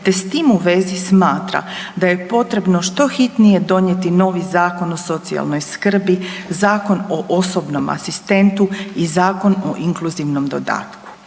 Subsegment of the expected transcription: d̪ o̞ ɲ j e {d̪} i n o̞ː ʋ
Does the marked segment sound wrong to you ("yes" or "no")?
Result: yes